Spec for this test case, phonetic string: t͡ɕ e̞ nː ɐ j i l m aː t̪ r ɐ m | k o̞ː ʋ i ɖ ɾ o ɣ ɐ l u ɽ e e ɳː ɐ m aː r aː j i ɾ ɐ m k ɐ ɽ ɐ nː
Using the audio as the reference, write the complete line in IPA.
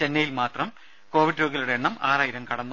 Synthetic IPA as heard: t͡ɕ e̞ nː ɐ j i l m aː t̪ r ɐ m | k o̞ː ʋ i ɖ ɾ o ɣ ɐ l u ɽ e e ɳː ɐ m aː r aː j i ɾ ɐ m k ɐ ɽ ɐ nː

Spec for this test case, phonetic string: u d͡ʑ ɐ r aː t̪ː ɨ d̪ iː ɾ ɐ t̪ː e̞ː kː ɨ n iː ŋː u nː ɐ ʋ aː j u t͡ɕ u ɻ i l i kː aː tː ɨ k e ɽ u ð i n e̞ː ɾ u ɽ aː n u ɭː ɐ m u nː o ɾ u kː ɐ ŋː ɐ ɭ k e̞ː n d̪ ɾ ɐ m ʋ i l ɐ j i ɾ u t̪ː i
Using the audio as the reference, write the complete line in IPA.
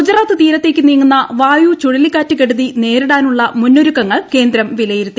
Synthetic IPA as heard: u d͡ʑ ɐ r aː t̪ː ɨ t̪ iː ɾ ɐ t̪ː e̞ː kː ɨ n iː ŋː u nː ɐ ʋ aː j u t͡ɕ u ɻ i l i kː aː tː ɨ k e ɽ u ð i n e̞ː ɾ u ɽ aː n u ɭː ɐ m u nː o ɾ u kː ɐ ŋː ɐ ɭ k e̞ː n d̪ ɾ ɐ m ʋ i l ɐ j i ɾ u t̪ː i

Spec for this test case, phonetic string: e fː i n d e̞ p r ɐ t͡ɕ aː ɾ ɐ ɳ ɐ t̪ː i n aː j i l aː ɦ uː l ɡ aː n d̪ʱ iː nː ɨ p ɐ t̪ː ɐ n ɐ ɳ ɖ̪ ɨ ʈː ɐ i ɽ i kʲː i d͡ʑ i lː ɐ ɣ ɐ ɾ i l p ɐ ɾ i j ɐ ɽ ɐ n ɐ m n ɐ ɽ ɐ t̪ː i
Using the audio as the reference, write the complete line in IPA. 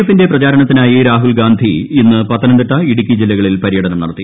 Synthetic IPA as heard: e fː i n d e̞ p r ɐ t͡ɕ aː ɾ ɐ ɳ ɐ t̪ː i n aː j i ɾ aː ɦ u l ɡ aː n d̪ʱ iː nː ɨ p ɐ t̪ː ɐ n ɐ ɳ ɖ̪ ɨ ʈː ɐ i ɽ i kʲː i d͡ʑ i lː ɐ ɣ ɐ ɭ i l p ɐ ɾ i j ɐ ɽ ɐ n ɐ m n ɐ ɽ ɐ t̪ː i

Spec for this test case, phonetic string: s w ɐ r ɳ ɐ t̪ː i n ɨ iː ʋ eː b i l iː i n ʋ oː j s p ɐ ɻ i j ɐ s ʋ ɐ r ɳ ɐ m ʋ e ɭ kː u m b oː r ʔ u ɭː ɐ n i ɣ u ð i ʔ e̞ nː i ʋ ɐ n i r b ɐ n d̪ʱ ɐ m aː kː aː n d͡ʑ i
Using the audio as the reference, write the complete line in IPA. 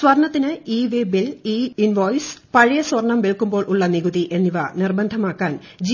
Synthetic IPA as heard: s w ɐ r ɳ ɐ t̪ː i n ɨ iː ʋ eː b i l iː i n ʋ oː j s p ɐ ɻ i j ɐ s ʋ ɐ r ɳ ɐ m ʋ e ɭ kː u m b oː ɭ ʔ u ɭː ɐ n i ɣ u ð i ʔ e̞ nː i ʋ ɐ n i r b ɐ n d̪ʱ ɐ m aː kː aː n d͡ʑ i

